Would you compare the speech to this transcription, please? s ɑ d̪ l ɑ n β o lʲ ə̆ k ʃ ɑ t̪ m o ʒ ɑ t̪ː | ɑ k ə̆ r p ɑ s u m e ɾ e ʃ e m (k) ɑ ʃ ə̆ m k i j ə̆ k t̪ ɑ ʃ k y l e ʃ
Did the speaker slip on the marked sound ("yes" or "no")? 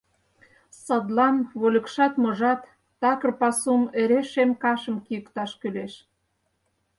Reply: no